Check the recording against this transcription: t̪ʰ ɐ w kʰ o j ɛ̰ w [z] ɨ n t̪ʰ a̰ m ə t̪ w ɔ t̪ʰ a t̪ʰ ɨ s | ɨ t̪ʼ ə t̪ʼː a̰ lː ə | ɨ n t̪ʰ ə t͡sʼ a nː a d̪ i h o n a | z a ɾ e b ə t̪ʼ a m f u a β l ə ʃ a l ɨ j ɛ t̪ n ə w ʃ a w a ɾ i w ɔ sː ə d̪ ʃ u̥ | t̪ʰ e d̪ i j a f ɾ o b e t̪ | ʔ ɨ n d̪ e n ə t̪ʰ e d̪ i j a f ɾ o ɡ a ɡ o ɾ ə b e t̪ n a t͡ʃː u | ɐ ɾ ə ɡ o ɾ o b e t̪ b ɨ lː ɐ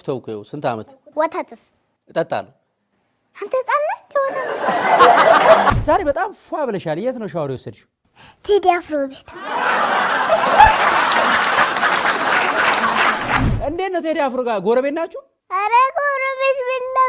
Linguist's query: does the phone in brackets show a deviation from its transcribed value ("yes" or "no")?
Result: yes